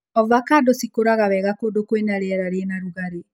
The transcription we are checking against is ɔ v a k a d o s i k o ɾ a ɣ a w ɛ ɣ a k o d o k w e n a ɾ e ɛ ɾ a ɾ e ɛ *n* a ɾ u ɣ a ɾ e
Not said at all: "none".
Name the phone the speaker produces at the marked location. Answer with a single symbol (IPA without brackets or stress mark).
n